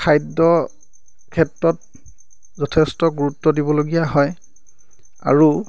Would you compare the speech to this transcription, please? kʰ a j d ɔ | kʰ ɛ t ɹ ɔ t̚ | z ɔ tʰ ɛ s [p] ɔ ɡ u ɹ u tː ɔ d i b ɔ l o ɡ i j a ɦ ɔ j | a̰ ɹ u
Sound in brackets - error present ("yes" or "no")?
yes